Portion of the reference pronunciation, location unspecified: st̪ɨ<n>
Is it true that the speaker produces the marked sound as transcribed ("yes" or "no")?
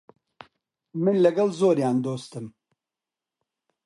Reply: no